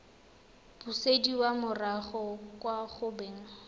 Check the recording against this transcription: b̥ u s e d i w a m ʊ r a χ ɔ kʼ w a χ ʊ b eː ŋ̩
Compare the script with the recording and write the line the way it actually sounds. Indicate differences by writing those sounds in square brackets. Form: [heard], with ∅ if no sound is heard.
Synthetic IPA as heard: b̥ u s e d i w a m ʊ r a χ ɔ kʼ w a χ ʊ b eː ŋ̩